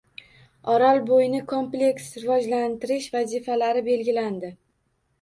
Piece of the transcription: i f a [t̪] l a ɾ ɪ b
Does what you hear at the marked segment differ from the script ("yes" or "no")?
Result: yes